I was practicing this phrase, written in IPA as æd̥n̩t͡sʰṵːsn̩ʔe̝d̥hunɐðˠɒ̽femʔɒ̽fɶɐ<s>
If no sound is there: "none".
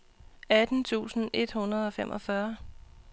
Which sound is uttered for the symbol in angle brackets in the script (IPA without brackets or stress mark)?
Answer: none